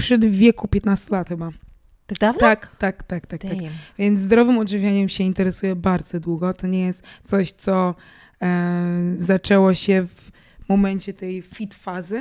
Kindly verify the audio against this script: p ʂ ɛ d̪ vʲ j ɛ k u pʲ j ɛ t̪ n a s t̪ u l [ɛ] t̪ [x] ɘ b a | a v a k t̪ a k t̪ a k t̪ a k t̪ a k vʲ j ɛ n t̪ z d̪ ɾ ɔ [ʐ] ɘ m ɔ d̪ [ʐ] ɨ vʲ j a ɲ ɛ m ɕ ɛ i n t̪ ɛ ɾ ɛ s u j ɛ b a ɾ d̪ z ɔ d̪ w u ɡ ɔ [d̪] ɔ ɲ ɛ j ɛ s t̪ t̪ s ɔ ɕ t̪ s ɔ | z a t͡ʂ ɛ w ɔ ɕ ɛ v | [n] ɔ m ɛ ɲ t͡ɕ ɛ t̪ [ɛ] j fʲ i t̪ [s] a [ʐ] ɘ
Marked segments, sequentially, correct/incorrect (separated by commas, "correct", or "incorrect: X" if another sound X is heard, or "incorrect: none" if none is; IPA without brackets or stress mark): incorrect: a, correct, incorrect: v, correct, incorrect: t̪, incorrect: m, correct, incorrect: f, incorrect: z